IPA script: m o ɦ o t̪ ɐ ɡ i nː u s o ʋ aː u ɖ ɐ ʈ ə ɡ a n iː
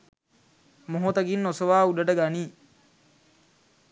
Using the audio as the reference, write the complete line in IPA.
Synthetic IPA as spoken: m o ɦ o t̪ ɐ ɡ i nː o s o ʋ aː u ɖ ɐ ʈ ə ɡ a n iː